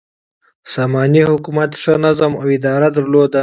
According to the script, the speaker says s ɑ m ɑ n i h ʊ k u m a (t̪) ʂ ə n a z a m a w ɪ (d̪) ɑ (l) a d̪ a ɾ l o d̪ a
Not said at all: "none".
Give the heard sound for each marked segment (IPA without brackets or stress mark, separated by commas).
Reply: t̪, d̪, ɾ